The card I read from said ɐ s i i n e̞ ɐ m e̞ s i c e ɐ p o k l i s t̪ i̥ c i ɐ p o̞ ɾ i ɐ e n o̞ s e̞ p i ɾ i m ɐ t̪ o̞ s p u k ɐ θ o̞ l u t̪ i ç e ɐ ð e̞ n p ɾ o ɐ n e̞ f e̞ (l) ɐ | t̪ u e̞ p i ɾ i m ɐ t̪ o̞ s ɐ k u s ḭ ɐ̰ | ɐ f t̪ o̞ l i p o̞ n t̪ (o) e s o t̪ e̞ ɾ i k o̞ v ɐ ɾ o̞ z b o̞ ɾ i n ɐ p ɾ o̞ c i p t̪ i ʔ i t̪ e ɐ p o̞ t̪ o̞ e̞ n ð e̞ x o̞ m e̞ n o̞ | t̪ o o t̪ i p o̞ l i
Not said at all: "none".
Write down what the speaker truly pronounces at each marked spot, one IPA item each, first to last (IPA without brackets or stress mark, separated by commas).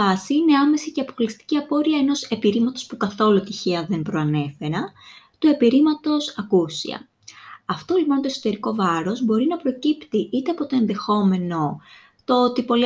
ɾ, o